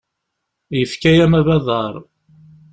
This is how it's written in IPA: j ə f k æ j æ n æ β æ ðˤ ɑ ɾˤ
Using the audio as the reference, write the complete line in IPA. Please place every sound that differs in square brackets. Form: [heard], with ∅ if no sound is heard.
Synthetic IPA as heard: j ə f k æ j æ [m] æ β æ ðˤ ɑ ɾˤ

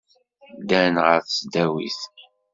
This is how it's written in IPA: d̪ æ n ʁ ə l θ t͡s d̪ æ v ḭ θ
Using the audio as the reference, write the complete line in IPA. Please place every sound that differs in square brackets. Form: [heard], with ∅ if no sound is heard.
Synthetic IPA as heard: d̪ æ n ʁ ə [ɾ] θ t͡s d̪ æ [w] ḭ θ

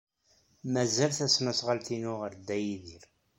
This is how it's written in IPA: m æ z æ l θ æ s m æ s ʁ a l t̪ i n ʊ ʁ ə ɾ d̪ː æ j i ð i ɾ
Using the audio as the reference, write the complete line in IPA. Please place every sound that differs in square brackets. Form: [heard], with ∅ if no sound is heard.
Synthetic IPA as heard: m æ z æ l θ æ s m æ s ʁ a l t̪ i n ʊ ʁ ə ɾ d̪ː æ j i ð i ɾ

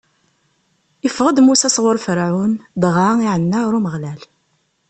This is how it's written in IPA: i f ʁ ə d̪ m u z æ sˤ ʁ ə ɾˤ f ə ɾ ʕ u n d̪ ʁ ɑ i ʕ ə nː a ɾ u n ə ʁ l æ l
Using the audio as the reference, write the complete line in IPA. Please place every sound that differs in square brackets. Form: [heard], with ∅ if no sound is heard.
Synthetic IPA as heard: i f ʁ ə d̪ m u [s] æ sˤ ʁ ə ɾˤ f ə ɾ ʕ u n d̪ ʁ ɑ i ʕ ə nː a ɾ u [m] ə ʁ l æ l

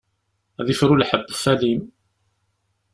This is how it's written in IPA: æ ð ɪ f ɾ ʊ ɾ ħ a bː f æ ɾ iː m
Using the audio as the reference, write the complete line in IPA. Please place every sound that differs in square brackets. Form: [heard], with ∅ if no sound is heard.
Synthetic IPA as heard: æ ð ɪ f ɾ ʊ [l] ħ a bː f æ [l] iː m

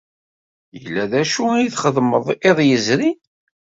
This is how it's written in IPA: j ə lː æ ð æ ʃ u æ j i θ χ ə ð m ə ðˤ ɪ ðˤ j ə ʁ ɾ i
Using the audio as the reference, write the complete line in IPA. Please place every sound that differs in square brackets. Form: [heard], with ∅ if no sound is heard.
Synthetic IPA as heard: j ə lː æ ð æ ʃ u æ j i θ χ ə ð m ə ðˤ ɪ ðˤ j ə [z] ɾ i

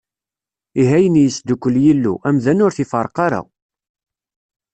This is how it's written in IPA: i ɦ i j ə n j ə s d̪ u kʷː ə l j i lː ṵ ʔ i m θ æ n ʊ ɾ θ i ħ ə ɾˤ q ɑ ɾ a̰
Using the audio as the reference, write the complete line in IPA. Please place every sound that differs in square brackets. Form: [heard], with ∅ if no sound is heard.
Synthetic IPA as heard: i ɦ [æ] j ə n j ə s d̪ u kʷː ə l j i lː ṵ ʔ [æ] m [ð] æ n ʊ ɾ θ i [f] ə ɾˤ q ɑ ɾ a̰

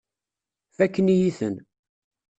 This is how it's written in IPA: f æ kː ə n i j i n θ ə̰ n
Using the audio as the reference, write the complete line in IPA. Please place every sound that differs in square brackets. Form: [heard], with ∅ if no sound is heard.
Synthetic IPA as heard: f æ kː ə n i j i [∅] θ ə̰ n

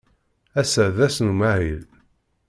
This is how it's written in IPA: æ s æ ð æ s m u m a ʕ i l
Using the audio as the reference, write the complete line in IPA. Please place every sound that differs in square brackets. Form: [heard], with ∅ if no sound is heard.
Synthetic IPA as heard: æ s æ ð æ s [n] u m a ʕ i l

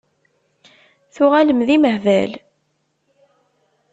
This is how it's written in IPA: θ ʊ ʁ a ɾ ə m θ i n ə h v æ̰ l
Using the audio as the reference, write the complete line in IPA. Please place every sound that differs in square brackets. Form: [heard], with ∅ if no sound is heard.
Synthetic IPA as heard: θ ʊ ʁ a [l] ə m [ð] i [m] ə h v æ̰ l

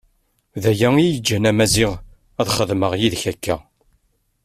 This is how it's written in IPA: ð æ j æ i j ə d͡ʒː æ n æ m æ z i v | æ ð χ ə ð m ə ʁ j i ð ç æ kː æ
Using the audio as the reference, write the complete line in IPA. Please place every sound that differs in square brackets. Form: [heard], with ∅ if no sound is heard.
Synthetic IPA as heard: ð æ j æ i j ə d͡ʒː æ n æ m æ z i [ʁ] | æ ð χ ə ð m ə ʁ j i ð ç æ kː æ

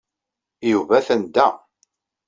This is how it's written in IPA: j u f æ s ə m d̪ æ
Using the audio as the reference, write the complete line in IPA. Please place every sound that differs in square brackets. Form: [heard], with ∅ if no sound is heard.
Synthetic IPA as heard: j u [v] æ [θ] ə [n] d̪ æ

